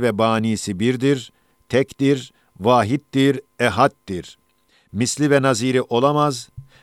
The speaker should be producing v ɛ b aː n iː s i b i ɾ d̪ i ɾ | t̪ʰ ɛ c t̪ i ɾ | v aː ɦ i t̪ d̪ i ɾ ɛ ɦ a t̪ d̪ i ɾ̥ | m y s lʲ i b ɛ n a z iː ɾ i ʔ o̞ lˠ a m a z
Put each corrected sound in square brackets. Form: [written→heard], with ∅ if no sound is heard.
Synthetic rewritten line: v ɛ b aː n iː s i b i ɾ d̪ i ɾ | t̪ʰ ɛ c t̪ i ɾ | v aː ɦ i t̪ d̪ i ɾ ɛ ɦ a t̪ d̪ i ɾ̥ | m [y→i] s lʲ i [b→v] ɛ n a z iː ɾ i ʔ o̞ lˠ a m a z